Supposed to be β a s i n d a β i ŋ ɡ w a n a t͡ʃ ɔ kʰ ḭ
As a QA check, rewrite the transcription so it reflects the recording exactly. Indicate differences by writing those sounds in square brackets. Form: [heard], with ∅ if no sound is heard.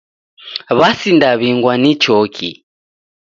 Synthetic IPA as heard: β a s i n d a β i ŋ ɡ w a n [i] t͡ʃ ɔ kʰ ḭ